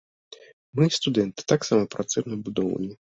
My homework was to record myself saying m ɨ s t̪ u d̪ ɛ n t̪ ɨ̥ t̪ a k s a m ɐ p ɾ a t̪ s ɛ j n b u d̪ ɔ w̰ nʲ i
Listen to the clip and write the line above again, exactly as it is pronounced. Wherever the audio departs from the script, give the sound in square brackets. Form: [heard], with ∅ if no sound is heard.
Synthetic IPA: m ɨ s t̪ u d̪ ɛ n t̪ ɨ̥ t̪ a k s a m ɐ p ɾ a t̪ s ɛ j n b u d̪ ɔ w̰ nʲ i